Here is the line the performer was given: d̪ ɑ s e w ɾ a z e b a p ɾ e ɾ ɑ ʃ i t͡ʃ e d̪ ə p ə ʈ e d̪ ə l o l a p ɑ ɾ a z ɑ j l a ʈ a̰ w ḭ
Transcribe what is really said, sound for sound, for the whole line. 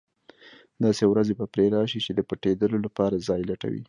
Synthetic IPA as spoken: d̪ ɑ s e w ɾ a z e b a p ɾ e ɾ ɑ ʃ i t͡ʃ e d̪ ə p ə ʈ e d̪ ə l o l a p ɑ ɾ a z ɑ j l a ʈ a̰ w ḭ